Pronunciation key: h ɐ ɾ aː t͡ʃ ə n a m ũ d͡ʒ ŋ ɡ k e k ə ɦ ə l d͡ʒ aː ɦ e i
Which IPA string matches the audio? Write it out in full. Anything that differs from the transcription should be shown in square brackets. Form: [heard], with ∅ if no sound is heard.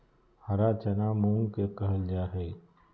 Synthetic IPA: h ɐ ɾ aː t͡ʃ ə n a m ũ [∅] ŋ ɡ k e k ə ɦ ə l d͡ʒ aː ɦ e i